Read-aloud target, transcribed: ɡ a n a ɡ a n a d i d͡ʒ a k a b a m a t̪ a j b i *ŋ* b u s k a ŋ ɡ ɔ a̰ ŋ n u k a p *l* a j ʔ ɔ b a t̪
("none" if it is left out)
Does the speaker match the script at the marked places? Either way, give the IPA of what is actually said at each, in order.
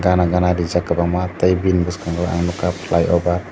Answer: n, l

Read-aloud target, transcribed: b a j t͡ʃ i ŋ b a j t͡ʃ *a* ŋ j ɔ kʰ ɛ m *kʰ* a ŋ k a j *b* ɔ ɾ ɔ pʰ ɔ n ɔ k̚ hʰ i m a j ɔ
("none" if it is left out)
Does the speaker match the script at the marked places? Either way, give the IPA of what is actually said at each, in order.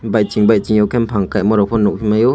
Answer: i, pʰ, m

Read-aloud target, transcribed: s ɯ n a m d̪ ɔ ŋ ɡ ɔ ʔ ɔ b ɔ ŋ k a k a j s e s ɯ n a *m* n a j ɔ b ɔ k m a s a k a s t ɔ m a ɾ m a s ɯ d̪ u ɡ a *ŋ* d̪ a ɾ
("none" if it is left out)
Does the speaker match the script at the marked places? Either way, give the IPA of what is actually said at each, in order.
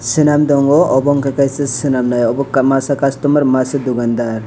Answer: m, n

